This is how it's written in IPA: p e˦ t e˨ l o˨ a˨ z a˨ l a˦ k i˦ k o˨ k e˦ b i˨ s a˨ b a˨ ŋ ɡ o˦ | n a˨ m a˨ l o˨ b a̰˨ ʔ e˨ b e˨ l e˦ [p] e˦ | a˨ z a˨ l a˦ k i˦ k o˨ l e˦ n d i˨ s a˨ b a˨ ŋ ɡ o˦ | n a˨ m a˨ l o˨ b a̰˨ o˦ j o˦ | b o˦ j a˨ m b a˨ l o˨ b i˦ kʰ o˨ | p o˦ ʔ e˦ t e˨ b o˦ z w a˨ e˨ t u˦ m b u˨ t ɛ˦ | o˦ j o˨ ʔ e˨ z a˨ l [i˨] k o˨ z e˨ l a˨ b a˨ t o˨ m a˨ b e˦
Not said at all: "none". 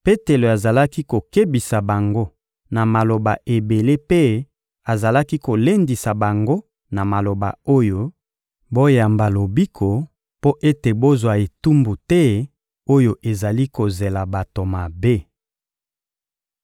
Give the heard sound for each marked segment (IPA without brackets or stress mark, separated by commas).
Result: p, i˦